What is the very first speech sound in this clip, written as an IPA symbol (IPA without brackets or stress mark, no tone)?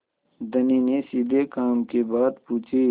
d̪